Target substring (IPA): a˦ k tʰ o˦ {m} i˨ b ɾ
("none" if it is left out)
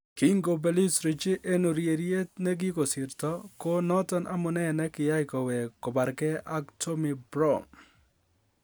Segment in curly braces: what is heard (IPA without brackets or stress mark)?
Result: m